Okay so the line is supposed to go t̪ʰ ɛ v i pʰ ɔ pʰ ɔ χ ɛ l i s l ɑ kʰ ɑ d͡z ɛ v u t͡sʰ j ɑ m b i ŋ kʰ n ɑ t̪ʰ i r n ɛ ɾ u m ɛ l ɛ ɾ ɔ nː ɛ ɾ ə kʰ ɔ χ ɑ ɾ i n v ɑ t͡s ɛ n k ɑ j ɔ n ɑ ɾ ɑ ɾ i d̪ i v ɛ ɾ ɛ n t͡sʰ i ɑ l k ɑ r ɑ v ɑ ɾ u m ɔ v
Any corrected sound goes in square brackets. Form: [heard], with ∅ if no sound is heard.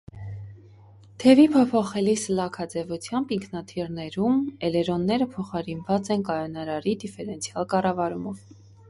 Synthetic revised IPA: t̪ʰ ɛ v i pʰ ɔ pʰ ɔ χ ɛ l i s l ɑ kʰ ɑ d͡z ɛ v u t͡sʰ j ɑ m b i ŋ kʰ n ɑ t̪ʰ i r n ɛ ɾ u m ɛ l ɛ ɾ ɔ nː ɛ ɾ ə [pʰ] ɔ χ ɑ ɾ i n v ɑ t͡s ɛ n k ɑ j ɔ n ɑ ɾ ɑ ɾ i d̪ i [f] ɛ ɾ ɛ n t͡sʰ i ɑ l k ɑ r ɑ v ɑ ɾ u m ɔ v

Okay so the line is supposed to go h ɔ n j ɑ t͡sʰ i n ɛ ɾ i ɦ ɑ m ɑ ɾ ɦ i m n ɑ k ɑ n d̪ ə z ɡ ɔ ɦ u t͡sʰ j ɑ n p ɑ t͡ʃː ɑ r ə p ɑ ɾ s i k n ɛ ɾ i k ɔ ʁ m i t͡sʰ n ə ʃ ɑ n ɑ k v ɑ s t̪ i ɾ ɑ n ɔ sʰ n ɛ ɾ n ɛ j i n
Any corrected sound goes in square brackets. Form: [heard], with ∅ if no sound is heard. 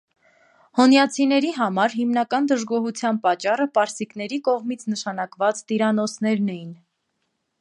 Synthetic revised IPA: h ɔ n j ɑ t͡sʰ i n ɛ ɾ i ɦ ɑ m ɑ ɾ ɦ i m n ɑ k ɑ n d̪ ə [ʒ] ɡ ɔ ɦ u t͡sʰ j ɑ n p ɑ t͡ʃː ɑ r ə p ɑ ɾ s i k n ɛ ɾ i k ɔ ʁ m i t͡sʰ n ə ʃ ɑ n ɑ k v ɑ [t͡s] t̪ i ɾ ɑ n ɔ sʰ n ɛ ɾ n ɛ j i n

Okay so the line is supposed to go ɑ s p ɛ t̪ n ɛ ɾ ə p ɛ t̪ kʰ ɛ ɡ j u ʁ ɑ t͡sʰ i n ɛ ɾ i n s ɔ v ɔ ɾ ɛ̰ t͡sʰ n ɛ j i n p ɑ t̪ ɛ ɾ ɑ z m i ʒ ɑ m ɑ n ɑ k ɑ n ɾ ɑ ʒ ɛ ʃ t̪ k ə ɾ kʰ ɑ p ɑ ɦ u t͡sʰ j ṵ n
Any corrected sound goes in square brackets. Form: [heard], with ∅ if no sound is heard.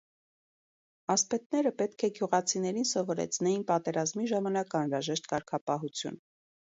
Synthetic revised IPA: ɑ s p ɛ t̪ n ɛ ɾ ə p ɛ t̪ kʰ ɛ ɡ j u ʁ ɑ t͡sʰ i n ɛ ɾ i n s ɔ v ɔ ɾ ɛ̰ t͡sʰ n ɛ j i n p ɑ t̪ ɛ ɾ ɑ z m i ʒ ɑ m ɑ n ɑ k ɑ n ɾ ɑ ʒ ɛ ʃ t̪ k [ɑ] ɾ kʰ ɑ p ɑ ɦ u t͡sʰ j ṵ n

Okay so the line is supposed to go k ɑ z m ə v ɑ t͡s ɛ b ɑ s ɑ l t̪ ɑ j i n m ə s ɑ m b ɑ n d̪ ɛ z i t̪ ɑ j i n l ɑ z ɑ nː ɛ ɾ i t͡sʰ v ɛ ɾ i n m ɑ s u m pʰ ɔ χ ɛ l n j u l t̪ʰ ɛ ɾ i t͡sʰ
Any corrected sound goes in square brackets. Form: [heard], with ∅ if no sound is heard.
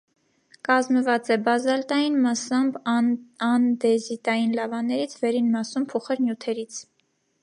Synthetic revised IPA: k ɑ z m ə v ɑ t͡s ɛ b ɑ [z] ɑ l t̪ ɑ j i n m [ɑ] s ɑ m b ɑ n d̪ ɛ z i t̪ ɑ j i n l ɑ [v] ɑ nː ɛ ɾ i t͡sʰ v ɛ ɾ i n m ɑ s u m pʰ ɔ χ ɛ [ɾ] n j u [∅] t̪ʰ ɛ ɾ i t͡sʰ

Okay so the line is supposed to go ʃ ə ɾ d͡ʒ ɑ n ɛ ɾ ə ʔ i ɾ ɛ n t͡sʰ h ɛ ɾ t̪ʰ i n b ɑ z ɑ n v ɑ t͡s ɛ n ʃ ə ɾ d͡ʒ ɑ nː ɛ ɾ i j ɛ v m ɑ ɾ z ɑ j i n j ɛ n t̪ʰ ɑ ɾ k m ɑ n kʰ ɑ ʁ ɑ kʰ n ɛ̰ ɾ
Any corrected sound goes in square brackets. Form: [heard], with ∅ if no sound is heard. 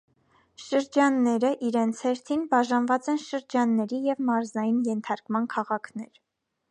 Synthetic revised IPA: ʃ ə ɾ d͡ʒ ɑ [nː] ɛ ɾ ə ʔ i ɾ ɛ n t͡sʰ h ɛ ɾ t̪ʰ i n b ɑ [ʒ] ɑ n v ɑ t͡s ɛ n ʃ ə ɾ d͡ʒ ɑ nː ɛ ɾ i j ɛ v m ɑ ɾ z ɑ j i n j ɛ n t̪ʰ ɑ ɾ k m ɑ n kʰ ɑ ʁ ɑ kʰ n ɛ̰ ɾ

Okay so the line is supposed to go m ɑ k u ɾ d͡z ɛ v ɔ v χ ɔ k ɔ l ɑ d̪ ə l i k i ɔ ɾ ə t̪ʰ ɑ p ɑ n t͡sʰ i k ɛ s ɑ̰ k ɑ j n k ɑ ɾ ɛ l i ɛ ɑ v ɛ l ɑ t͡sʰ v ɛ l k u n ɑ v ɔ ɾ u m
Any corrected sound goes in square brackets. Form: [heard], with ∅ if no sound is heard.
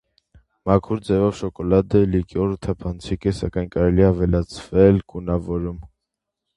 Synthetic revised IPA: m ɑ [kʰ] u ɾ d͡z ɛ v ɔ v [ʃ] ɔ k ɔ l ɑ d̪ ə l i k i ɔ ɾ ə t̪ʰ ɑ [pʰ] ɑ n t͡sʰ i k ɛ s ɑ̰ k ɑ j n k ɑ ɾ ɛ l i ɛ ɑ v ɛ l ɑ t͡sʰ v ɛ l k u n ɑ v ɔ ɾ u m

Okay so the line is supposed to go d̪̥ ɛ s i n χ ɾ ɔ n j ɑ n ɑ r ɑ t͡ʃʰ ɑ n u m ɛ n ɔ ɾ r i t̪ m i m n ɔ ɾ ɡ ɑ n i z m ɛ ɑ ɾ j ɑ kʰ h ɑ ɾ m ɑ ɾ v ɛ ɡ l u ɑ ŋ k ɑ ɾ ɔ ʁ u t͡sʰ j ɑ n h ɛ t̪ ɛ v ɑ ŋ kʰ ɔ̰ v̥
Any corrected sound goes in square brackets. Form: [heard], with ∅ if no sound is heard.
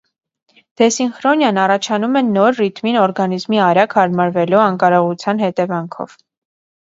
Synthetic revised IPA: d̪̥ ɛ s i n χ ɾ ɔ n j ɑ n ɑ r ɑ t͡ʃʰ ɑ n u m ɛ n ɔ ɾ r i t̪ m i [∅] n ɔ ɾ ɡ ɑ n i z m [i] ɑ ɾ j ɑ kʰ h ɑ ɾ m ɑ ɾ v ɛ [∅] l u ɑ ŋ k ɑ ɾ ɔ ʁ u t͡sʰ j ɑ n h ɛ t̪ ɛ v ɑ ŋ kʰ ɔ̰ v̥

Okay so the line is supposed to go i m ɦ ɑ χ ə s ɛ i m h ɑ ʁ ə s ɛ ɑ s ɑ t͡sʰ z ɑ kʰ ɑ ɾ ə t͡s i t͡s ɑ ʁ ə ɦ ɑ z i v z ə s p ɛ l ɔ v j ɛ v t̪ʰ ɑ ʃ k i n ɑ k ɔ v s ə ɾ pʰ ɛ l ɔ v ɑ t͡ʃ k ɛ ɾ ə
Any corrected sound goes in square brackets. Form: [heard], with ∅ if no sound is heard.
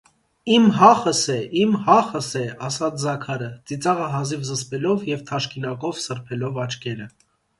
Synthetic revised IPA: i m ɦ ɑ χ ə s ɛ i m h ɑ [χ] ə s ɛ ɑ s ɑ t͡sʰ z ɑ kʰ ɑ ɾ ə t͡s i t͡s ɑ ʁ ə ɦ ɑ z i v z ə s p ɛ l ɔ v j ɛ v t̪ʰ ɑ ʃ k i n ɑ k ɔ v s ə ɾ pʰ ɛ l ɔ v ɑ t͡ʃ k ɛ ɾ ə

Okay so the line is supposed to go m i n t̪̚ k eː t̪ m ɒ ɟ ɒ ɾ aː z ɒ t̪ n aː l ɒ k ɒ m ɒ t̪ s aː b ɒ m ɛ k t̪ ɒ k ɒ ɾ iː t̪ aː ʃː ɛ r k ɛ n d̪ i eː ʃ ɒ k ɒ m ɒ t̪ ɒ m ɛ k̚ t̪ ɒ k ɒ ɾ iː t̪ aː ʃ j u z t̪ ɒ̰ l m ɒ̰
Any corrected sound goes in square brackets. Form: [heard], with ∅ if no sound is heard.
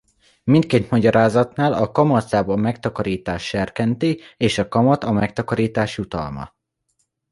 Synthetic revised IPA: m i n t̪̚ k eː t̪ m ɒ ɟ ɒ ɾ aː z ɒ t̪ n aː l ɒ k ɒ m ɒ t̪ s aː b ɒ m ɛ k t̪ ɒ k ɒ ɾ iː t̪ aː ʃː ɛ r k ɛ n [t̪] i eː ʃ ɒ k ɒ m ɒ t̪ ɒ m ɛ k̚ t̪ ɒ k ɒ ɾ iː t̪ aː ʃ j u [∅] t̪ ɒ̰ l m ɒ̰

